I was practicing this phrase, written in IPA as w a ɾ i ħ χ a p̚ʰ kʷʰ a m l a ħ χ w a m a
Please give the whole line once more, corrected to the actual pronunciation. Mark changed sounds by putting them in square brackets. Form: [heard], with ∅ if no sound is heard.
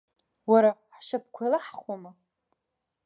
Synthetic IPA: w a ɾ [a] ħ [ʃ] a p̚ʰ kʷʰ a [∅] l a ħ χ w a m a